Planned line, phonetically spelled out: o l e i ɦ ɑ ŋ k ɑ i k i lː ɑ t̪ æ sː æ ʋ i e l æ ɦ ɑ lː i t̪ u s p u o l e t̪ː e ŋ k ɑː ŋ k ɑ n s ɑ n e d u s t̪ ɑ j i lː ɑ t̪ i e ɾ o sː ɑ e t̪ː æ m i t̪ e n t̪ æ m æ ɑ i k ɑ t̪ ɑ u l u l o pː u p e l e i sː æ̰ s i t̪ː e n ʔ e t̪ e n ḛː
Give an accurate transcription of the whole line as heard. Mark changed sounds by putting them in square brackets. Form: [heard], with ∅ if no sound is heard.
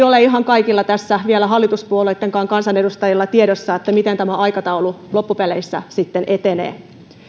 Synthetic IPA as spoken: o l e i ɦ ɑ ŋ k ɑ i k i lː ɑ t̪ æ sː æ ʋ i e l æ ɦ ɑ lː i t̪ u s p u o l e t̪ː e ŋ k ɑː ŋ k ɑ n s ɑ n e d u s t̪ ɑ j i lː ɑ t̪ i e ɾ o sː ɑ e t̪ː æ m i t̪ e n t̪ æ m æ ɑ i k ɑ t̪ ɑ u l u l o pː u p e l e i sː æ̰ s i t̪ː e n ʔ e t̪ e n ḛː